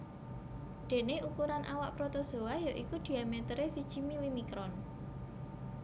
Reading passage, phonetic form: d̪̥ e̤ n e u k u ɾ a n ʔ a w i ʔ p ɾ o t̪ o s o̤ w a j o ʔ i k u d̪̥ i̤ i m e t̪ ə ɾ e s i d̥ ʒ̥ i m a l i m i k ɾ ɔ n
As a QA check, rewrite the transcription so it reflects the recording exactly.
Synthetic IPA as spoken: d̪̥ e̤ n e u k u ɾ a n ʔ a w a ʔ p ɾ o t̪ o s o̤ w a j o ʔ i k u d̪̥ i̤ a m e t̪ ə ɾ e s i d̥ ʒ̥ i m i l i m i k ɾ ɔ n